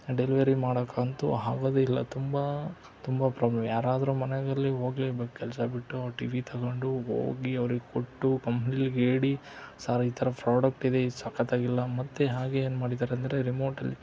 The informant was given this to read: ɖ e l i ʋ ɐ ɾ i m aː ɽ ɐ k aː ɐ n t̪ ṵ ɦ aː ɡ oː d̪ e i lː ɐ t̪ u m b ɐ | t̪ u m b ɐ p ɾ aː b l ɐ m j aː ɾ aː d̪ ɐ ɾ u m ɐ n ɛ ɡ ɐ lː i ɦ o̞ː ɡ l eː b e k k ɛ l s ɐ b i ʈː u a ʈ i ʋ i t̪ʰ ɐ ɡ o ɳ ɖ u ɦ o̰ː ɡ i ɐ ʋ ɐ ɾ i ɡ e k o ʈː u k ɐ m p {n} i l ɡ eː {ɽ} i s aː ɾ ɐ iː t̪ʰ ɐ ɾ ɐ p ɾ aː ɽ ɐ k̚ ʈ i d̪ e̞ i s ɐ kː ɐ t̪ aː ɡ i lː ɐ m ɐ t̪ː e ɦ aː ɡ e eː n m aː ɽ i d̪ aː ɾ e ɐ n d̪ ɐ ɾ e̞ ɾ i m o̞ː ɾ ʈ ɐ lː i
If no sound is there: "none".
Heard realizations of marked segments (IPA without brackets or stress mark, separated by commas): n, ɽ